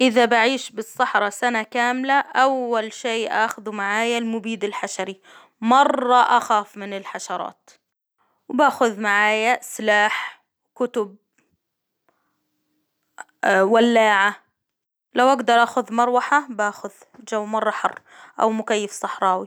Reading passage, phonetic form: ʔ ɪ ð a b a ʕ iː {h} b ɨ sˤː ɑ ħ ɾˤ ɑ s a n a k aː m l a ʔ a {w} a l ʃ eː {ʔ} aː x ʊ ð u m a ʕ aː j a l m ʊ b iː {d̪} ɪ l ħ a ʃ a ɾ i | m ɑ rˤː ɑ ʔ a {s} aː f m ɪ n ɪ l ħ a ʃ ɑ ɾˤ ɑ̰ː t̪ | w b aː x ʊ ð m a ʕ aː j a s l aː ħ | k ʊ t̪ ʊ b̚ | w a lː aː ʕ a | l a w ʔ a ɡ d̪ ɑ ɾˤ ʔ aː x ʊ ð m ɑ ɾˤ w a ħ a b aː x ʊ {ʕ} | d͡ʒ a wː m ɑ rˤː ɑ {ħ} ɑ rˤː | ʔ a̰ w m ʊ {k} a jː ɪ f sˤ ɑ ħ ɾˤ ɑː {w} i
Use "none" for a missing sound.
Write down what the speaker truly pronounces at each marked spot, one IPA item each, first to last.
ʃ, wː, ʔ, d̪, x, ð, ħ, k, w

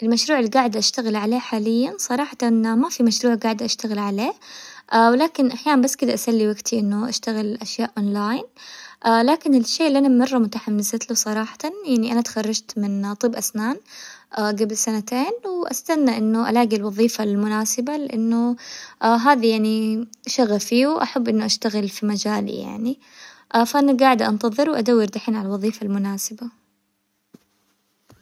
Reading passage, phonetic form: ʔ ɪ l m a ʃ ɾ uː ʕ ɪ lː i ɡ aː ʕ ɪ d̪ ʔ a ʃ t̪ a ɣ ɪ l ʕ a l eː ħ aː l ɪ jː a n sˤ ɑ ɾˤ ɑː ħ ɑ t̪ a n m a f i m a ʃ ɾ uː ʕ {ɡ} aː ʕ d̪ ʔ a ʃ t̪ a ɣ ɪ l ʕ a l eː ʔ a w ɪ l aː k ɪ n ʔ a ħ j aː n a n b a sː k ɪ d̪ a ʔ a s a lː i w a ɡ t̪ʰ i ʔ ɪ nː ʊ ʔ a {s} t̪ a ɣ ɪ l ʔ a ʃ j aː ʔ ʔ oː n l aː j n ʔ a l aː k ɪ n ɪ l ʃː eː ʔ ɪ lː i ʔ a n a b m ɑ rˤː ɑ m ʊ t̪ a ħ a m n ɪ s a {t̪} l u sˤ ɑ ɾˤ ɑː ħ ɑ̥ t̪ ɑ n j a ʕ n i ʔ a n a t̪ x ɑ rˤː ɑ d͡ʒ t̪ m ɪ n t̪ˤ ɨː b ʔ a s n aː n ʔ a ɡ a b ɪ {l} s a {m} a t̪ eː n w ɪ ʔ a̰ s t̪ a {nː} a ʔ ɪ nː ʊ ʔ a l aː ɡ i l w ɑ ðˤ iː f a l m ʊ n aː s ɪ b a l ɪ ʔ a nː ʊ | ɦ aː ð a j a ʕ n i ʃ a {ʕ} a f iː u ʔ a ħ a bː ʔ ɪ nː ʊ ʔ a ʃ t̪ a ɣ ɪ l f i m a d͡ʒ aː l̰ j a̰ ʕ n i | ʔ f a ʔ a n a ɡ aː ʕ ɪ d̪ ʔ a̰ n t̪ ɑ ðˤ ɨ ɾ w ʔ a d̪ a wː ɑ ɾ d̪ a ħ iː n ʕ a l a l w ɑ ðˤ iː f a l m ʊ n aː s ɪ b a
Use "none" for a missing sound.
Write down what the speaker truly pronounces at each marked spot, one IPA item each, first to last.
ɡ, ʃ, t̪, l, n, nː, ɣ

